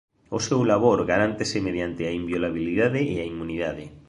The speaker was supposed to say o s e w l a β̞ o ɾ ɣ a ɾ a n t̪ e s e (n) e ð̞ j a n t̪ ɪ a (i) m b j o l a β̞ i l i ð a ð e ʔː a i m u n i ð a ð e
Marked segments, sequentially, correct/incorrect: incorrect: m, correct

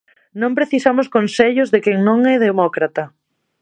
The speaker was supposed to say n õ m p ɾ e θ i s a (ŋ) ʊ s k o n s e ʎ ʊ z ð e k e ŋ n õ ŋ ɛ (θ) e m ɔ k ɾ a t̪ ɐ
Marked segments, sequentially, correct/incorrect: incorrect: m, incorrect: ð

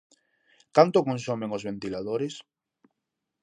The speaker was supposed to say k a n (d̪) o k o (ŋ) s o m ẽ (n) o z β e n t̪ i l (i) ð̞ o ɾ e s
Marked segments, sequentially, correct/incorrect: incorrect: t̪, incorrect: n, incorrect: ŋ, incorrect: a

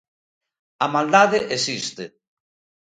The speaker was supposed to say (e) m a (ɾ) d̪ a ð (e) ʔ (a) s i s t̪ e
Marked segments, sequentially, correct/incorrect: incorrect: a, incorrect: l, correct, incorrect: e

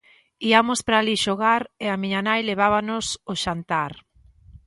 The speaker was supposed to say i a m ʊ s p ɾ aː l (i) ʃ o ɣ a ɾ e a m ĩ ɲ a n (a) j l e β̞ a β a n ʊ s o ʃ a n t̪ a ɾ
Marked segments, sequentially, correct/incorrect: correct, correct

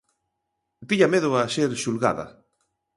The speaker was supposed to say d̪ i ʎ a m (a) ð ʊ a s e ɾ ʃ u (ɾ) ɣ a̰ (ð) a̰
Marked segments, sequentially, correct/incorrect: incorrect: e, incorrect: l, correct

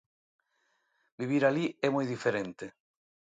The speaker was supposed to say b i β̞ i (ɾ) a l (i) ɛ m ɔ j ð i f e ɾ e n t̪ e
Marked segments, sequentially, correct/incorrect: correct, correct

